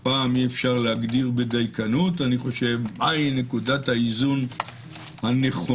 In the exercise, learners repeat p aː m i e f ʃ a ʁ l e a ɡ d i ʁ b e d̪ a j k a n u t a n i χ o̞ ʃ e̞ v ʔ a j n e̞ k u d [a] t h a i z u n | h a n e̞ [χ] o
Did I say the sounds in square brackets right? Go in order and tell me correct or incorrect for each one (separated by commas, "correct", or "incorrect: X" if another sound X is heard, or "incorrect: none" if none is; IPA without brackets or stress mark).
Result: correct, correct